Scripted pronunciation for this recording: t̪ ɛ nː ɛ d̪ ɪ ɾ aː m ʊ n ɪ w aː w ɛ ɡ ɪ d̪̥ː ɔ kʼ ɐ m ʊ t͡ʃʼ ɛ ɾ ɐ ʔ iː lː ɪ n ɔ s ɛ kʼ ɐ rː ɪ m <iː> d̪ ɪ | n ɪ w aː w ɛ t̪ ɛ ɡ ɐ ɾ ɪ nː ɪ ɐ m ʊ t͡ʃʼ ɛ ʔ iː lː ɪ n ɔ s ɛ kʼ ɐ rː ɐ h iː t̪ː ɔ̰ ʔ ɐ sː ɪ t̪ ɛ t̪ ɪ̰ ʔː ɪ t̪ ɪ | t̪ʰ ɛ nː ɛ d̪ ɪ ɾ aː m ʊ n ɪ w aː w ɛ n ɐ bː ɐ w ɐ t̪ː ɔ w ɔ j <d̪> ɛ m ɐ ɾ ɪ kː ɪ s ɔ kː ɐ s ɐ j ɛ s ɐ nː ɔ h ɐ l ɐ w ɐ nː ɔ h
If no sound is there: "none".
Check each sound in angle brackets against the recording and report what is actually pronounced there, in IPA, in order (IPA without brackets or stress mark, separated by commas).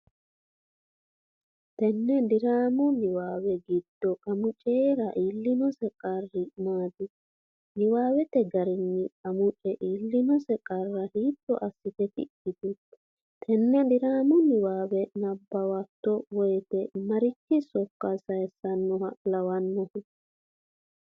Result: aː, t̪